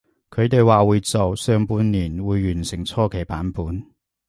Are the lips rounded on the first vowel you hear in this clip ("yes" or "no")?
yes